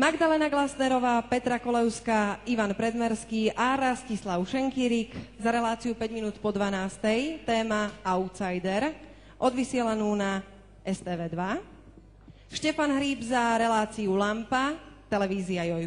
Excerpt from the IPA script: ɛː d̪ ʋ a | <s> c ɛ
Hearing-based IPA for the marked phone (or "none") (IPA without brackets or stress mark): ʃ